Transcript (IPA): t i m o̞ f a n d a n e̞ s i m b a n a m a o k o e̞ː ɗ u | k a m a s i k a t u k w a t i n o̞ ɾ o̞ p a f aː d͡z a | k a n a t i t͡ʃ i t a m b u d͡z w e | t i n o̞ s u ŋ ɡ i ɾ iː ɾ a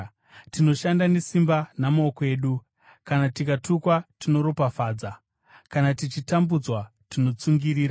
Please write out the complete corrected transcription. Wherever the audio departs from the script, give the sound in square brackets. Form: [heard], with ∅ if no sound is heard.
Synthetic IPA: t i [n] o̞ [ʃ] a n d a n e̞ s i m b a n a m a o k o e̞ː ɗ u | k a [n] a [t] i k a t u k w a t i n o̞ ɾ o̞ p a f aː d͡z a | k a n a t i t͡ʃ i t a m b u d͡z w [a] | t i n o̞ [t͡s] u ŋ ɡ i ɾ iː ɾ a